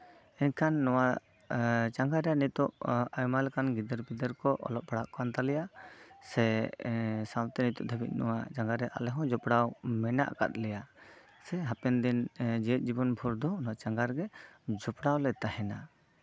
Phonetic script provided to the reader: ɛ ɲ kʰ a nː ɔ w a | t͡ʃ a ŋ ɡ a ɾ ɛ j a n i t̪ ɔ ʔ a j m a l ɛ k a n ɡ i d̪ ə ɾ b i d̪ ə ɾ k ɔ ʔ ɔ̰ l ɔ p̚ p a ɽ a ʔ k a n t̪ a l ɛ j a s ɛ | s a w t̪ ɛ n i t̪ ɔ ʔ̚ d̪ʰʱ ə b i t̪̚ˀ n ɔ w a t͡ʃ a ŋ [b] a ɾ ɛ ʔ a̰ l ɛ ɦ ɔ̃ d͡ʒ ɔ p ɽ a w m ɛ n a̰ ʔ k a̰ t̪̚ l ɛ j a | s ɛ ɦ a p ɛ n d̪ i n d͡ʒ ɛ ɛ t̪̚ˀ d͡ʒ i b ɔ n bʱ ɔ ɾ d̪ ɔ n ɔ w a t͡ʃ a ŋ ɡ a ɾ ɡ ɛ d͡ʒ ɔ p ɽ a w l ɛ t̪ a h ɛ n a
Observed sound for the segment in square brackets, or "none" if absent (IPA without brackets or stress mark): ɡ